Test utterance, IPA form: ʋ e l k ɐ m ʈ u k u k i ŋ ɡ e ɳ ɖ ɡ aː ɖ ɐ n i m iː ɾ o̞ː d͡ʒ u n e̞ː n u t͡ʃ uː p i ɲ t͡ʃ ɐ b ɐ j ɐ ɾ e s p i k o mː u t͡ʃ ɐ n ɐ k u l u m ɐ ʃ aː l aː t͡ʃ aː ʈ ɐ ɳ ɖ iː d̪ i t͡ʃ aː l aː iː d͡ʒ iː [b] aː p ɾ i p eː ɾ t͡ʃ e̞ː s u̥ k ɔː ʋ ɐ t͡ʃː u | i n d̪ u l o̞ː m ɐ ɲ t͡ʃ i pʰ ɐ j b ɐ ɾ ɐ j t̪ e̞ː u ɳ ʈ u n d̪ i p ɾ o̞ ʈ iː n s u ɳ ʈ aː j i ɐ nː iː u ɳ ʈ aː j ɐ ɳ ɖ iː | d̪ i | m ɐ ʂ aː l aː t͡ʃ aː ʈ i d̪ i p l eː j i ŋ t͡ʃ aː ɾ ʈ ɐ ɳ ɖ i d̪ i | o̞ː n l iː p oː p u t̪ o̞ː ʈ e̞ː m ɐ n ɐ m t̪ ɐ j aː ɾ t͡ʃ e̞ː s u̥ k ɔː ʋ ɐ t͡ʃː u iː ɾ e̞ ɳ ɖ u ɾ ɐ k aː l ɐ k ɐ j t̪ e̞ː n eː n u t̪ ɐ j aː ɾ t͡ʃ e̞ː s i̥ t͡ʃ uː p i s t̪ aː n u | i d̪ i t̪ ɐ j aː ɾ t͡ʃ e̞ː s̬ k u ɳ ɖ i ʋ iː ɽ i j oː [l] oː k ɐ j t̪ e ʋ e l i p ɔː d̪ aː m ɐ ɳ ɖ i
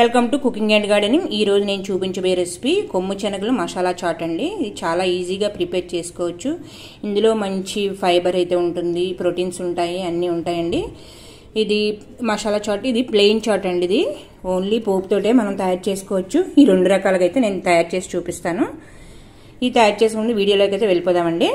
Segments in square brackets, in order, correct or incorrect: incorrect, correct

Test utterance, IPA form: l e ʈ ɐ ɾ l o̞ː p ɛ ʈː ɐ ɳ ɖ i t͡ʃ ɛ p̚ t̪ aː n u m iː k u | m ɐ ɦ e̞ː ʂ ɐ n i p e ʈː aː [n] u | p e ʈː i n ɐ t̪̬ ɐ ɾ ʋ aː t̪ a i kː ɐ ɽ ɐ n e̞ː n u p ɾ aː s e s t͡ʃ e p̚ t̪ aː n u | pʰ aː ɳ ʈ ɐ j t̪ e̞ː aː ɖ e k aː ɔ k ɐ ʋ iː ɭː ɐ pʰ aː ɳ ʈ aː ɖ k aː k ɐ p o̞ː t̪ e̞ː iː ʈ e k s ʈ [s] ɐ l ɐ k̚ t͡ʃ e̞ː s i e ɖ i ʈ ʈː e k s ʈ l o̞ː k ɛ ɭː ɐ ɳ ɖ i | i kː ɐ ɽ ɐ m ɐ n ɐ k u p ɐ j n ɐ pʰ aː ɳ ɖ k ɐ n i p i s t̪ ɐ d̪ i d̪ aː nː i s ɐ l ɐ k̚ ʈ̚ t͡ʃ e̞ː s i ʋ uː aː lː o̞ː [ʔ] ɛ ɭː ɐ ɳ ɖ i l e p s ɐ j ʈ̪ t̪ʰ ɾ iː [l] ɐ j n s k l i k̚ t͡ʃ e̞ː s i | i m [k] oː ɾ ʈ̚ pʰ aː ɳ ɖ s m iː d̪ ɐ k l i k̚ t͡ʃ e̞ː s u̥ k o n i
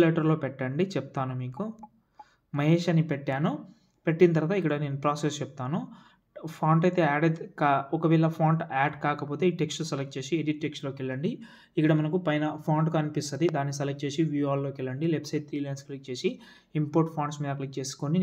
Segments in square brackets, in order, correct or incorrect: correct, correct, incorrect, correct, incorrect

